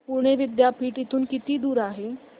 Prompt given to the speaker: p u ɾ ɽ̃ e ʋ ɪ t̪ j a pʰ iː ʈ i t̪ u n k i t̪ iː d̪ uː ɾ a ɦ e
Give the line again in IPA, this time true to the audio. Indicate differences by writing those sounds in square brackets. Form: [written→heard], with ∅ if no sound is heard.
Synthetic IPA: p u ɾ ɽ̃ e ʋ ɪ [t̪→d̪] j a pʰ iː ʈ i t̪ [u→uː] n k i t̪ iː d̪ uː ɾ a ɦ e